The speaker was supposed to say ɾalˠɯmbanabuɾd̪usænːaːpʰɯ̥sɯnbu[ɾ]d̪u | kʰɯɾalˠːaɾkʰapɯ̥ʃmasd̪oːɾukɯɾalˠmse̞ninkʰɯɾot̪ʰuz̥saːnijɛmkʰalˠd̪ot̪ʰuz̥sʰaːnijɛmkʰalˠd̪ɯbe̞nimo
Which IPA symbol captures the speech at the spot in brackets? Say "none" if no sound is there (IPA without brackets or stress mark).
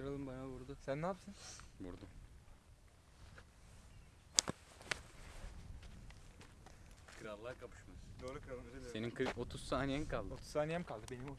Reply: ɾ